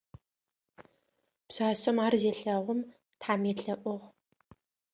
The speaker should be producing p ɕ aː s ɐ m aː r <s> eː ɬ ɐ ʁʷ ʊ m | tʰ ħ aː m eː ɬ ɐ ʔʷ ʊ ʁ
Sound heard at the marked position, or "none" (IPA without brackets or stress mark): z